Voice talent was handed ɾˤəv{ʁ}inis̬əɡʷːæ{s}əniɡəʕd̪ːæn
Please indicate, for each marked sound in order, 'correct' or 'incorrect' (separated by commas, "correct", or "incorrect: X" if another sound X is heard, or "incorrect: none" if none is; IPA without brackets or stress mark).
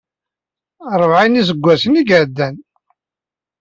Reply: incorrect: ʕ, correct